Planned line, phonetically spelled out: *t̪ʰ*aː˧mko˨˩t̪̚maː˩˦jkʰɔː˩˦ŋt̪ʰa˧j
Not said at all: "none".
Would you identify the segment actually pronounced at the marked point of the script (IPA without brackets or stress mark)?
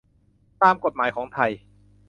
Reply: t̪